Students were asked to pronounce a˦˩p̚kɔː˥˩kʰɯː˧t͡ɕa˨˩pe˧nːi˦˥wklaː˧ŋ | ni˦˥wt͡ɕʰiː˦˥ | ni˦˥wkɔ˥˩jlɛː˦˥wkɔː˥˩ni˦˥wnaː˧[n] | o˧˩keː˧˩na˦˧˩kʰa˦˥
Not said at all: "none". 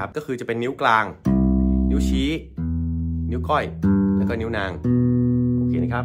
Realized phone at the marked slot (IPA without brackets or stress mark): ŋ